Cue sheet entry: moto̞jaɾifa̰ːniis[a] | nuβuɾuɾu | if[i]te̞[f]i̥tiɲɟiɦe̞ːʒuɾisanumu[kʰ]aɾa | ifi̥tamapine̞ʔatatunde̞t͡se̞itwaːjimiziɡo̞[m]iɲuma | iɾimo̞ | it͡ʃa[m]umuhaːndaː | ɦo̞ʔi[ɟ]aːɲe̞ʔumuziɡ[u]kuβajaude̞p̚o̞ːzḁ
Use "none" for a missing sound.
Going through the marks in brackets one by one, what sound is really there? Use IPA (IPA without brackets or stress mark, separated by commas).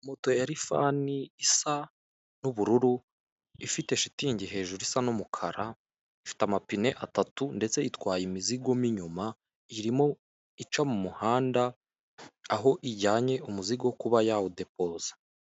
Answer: a, i, ʃ, kʰ, m, m, ɟ, o